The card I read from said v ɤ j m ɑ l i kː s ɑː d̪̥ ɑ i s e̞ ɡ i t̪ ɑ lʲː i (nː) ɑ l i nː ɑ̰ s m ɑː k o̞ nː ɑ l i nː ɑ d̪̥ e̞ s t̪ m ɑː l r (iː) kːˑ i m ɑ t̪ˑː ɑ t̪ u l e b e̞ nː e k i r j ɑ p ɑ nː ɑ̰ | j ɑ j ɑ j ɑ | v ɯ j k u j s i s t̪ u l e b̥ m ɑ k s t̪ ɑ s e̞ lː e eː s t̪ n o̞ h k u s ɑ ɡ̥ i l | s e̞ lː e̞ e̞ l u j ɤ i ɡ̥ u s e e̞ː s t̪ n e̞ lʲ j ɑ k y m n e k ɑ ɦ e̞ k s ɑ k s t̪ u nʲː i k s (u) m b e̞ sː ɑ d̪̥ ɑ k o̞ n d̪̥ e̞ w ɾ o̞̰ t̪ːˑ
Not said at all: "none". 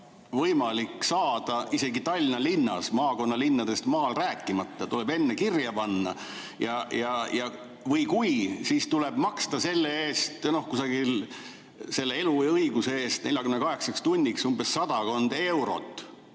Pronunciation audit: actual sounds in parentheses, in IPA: n, æː, u

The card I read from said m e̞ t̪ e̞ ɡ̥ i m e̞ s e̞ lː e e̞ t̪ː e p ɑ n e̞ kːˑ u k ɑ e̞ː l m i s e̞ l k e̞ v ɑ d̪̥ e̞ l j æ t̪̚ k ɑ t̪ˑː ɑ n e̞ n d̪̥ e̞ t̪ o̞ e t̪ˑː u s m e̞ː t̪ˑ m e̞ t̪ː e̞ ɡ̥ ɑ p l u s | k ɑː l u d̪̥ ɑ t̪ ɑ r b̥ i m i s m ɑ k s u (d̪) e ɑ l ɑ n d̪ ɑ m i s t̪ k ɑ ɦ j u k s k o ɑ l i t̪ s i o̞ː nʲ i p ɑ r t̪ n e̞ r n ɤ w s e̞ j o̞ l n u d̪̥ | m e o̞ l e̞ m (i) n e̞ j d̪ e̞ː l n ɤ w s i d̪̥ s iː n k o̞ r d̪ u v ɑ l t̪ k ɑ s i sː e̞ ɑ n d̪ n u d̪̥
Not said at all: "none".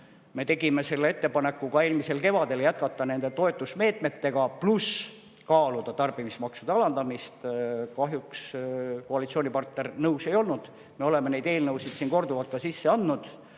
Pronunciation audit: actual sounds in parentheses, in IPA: d̪, e

